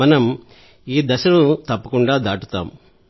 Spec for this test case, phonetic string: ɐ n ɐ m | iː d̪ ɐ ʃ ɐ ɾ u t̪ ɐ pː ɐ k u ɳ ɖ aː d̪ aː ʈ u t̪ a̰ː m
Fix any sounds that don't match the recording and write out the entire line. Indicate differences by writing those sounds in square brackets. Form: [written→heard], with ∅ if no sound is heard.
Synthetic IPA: ɐ n ɐ m | iː d̪ ɐ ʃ ɐ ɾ u t̪ ɐ pː ɐ k u ɳ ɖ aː d̪ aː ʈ u t̪ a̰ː m

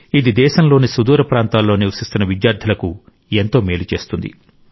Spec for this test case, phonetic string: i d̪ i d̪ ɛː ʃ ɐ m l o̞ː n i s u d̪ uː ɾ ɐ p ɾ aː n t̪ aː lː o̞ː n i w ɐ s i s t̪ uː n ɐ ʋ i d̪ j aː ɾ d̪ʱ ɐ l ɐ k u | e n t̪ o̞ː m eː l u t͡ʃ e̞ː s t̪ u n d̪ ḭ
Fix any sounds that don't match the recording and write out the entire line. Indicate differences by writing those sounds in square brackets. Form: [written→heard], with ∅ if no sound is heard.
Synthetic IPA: i d̪ i d̪ ɛː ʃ ɐ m l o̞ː n i s u d̪ uː ɾ ɐ p ɾ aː n t̪ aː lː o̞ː n i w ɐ s i s t̪ [uː→u] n ɐ ʋ i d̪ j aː ɾ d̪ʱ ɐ l ɐ k u | e n t̪ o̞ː m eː l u t͡ʃ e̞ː s t̪ u n d̪ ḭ

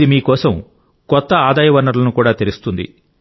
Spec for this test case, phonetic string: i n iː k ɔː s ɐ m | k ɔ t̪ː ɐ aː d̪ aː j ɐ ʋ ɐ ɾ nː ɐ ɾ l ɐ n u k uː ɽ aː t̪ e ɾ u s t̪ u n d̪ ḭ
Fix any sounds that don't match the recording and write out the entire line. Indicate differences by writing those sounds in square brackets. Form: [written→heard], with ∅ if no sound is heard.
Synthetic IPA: i [n→m] iː k ɔː s ɐ m | k ɔ t̪ː ɐ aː d̪ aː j ɐ ʋ ɐ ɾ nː ɐ ɾ l ɐ n u k uː ɽ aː t̪ e ɾ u s t̪ u n d̪ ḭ

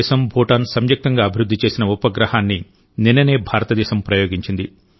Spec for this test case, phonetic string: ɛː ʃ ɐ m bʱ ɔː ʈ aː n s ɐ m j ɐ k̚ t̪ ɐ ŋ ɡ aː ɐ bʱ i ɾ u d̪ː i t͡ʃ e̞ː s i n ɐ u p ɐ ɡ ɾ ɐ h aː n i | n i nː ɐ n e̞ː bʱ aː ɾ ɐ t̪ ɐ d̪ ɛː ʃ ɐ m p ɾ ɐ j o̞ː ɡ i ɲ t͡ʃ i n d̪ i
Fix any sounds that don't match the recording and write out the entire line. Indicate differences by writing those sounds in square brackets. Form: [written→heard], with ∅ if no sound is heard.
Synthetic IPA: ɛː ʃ ɐ m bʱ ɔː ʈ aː n s ɐ m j ɐ k̚ t̪ ɐ ŋ ɡ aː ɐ bʱ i ɾ u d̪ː i t͡ʃ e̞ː s i n ɐ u p ɐ ɡ ɾ ɐ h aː [n→nː] i | n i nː ɐ n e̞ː bʱ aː ɾ ɐ t̪ ɐ d̪ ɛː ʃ ɐ m p ɾ ɐ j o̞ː ɡ i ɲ t͡ʃ i n d̪ i

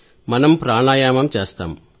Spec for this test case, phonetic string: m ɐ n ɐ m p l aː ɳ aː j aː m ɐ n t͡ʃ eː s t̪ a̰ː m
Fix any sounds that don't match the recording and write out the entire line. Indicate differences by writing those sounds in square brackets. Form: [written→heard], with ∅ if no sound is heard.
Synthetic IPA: m ɐ n ɐ m p [l→ɾ] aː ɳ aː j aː m ɐ [n→m] t͡ʃ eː s t̪ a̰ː m

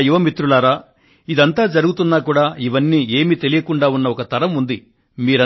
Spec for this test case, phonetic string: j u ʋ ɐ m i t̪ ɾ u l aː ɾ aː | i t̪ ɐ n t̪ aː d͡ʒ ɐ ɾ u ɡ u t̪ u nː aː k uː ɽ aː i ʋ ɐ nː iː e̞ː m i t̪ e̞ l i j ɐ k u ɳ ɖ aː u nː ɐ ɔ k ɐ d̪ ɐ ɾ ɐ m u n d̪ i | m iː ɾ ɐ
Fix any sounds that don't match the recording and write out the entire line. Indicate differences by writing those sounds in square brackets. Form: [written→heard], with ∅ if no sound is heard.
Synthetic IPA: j u ʋ ɐ m i t̪ ɾ u l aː ɾ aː | i [t̪→d̪] ɐ n t̪ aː d͡ʒ ɐ ɾ u ɡ u t̪ u nː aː k uː ɽ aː i ʋ ɐ nː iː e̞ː m i t̪ e̞ l i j ɐ k u ɳ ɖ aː u nː ɐ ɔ k ɐ [d̪→t̪] ɐ ɾ ɐ m u n d̪ i | m iː ɾ ɐ

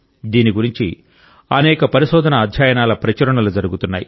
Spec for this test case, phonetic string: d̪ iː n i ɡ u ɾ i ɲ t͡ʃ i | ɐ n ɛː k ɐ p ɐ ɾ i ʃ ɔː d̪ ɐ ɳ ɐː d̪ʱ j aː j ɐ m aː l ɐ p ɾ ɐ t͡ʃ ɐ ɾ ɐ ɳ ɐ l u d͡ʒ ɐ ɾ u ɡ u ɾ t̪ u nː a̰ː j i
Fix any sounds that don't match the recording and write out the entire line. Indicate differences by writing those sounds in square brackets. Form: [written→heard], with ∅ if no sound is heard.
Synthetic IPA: d̪ iː n i ɡ u ɾ i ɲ t͡ʃ i | ɐ n ɛː k ɐ p ɐ ɾ i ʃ ɔː d̪ ɐ [ɳ→n] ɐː d̪ʱ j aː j ɐ [m→n] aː l ɐ p ɾ ɐ t͡ʃ ɐ ɾ ɐ ɳ ɐ l u d͡ʒ ɐ ɾ u ɡ u [ɾ→∅] t̪ u nː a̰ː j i

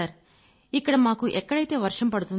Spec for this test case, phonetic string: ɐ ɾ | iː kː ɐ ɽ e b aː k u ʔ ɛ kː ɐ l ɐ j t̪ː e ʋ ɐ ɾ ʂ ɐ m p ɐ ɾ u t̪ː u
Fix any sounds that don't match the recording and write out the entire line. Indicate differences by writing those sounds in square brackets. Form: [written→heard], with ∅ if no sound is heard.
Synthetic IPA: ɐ ɾ | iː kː ɐ ɽ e [b→m] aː k u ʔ ɛ kː ɐ [l→ɽ] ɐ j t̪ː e ʋ ɐ ɾ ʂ ɐ m p ɐ [ɾ→ɽ] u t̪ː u

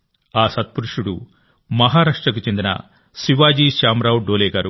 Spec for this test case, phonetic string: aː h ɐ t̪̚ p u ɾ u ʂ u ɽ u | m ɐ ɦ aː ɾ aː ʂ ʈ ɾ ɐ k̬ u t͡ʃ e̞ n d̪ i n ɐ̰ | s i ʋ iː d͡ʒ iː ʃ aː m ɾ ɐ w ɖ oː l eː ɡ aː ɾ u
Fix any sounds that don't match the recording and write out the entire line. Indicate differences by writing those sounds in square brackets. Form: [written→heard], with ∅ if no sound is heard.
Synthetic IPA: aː [h→s] ɐ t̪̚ p u ɾ u ʂ u ɽ u | m ɐ ɦ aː ɾ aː ʂ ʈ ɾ ɐ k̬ u t͡ʃ e̞ n d̪ i n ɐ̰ | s i ʋ [iː→aː] d͡ʒ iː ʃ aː m ɾ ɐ w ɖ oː l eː ɡ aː ɾ u

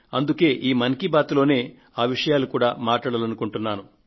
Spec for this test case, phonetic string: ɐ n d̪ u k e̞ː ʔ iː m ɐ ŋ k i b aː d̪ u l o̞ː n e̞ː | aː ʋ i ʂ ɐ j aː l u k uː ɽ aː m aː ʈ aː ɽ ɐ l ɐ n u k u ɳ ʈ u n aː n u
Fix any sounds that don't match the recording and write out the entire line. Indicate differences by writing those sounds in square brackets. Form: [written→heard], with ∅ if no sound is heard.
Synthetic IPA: ɐ n d̪ u k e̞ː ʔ iː m ɐ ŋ k i b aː [d̪→t̪] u l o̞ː n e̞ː | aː ʋ i ʂ ɐ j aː l u k uː ɽ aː m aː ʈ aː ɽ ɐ l ɐ n u k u ɳ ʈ u [n→nː] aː n u

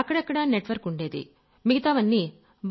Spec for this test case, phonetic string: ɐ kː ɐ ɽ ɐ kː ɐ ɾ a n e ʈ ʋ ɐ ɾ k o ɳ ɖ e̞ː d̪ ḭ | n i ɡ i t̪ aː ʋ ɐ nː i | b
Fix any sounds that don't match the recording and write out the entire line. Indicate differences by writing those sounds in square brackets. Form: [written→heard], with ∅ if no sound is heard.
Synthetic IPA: ɐ kː ɐ ɽ ɐ kː ɐ [ɾ→ɽ] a n e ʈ ʋ ɐ ɾ k [o→u] ɳ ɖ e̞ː d̪ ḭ | [n→m] i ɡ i t̪ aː ʋ ɐ nː i | b

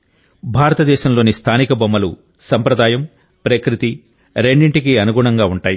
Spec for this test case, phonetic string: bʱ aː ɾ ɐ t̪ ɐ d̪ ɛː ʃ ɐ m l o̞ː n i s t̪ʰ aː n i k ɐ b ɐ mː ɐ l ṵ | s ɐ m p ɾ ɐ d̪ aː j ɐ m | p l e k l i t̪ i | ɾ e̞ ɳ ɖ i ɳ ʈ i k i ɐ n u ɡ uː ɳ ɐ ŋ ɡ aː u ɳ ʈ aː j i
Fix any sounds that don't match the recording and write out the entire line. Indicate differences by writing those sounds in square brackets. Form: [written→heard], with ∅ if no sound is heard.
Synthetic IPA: bʱ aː ɾ ɐ t̪ ɐ d̪ ɛː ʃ ɐ m l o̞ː n i s t̪ʰ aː n i k ɐ b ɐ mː ɐ l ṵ | s ɐ m p ɾ ɐ d̪ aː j ɐ m | p [l→ɾ] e k [l→ɾ] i t̪ i | ɾ e̞ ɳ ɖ i ɳ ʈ i k i ɐ n u ɡ uː ɳ ɐ ŋ ɡ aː u ɳ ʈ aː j i

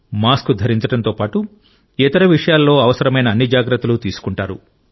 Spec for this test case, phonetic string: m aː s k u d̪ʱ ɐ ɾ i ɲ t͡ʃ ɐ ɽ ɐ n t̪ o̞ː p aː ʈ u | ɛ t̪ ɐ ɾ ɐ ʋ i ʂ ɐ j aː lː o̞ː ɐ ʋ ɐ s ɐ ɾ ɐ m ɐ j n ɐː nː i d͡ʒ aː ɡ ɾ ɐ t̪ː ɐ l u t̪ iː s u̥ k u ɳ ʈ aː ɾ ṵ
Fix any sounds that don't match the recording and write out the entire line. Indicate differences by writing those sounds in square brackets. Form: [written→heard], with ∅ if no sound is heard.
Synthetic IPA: m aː s k u d̪ʱ ɐ ɾ i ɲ t͡ʃ ɐ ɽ ɐ n t̪ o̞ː p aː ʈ u | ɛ t̪ ɐ ɾ ɐ ʋ i ʂ ɐ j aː lː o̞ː ɐ ʋ ɐ s ɐ ɾ ɐ m ɐ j n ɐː nː i d͡ʒ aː ɡ ɾ ɐ t̪ː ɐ l u t̪ iː s u̥ k u ɳ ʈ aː ɾ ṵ

